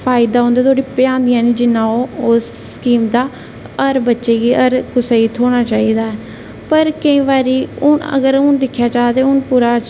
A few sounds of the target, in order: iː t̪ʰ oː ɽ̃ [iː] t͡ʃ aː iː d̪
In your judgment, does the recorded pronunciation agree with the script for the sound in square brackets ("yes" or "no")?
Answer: no